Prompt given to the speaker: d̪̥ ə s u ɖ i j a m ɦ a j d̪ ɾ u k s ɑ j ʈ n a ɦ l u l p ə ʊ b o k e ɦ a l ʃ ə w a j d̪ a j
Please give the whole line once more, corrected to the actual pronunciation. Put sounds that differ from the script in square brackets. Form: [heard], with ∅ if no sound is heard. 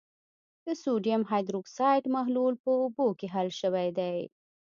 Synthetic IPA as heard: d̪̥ ə s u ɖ i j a m ɦ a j d̪ ɾ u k s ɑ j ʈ [m] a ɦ l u l p ə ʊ b o k e ɦ a l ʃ ə w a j d̪ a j